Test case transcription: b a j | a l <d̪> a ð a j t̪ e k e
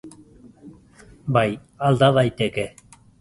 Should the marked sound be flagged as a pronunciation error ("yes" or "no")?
no